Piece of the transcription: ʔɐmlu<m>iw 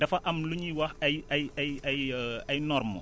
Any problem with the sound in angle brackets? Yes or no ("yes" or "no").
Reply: yes